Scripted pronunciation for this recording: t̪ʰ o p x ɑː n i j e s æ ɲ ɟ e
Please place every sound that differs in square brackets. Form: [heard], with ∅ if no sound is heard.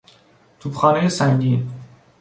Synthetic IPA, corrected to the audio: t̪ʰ [u] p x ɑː n [e] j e s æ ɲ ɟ [i]